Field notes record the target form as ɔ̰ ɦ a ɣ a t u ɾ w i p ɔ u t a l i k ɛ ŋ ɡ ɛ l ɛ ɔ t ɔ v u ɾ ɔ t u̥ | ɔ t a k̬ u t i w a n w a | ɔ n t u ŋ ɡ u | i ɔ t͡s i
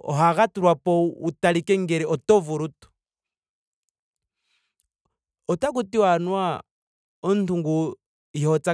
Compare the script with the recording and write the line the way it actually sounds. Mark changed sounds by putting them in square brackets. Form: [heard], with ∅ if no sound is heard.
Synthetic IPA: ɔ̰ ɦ a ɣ a t u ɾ w [a] p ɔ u t a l i k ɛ ŋ ɡ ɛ [ɾ] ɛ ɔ t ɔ v u ɾ [u] t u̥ | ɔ t a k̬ u t i w a n w a | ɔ n t u ŋ ɡ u | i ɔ t͡s [a]